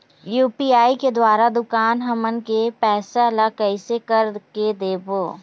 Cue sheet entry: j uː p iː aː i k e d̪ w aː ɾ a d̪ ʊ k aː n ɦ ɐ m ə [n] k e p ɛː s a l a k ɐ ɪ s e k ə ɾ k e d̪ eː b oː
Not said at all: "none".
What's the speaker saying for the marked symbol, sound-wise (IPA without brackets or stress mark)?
n